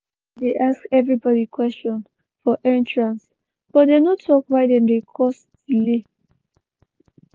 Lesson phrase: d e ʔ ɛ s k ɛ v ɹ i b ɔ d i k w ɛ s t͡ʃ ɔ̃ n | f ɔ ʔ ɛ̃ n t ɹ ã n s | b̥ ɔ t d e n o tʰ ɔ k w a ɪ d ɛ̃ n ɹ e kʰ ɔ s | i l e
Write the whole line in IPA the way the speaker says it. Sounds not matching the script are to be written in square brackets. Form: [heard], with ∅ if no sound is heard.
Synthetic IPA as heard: d e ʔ [a] s k ɛ v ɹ i b ɔ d i k w ɛ s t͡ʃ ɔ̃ n | f ɔ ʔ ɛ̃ n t ɹ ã n s | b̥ ɔ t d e n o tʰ ɔ k w a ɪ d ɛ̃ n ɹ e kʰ ɔ s | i l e